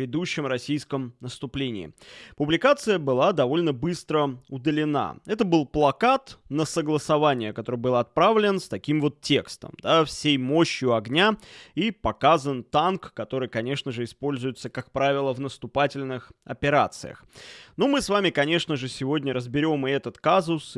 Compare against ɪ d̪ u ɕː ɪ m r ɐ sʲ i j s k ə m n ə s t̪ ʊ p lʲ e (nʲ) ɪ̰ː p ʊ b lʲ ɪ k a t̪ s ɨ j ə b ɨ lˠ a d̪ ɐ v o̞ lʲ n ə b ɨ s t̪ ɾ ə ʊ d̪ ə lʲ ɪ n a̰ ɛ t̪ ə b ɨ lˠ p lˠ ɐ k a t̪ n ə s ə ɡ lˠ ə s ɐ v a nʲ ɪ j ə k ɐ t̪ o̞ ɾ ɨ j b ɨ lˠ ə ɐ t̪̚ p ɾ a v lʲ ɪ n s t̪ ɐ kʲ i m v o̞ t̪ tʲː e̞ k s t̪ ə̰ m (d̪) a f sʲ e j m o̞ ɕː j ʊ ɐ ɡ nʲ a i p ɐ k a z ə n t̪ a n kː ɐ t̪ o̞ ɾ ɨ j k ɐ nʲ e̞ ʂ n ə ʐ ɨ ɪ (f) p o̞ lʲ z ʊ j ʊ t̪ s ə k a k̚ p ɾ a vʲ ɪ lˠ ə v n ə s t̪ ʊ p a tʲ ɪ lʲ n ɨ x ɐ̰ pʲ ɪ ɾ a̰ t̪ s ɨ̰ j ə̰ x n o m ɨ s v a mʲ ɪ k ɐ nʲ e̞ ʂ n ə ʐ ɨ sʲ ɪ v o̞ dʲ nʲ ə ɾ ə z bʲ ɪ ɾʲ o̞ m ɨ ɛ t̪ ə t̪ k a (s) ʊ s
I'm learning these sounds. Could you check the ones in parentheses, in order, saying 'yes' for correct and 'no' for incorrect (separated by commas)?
yes, yes, no, no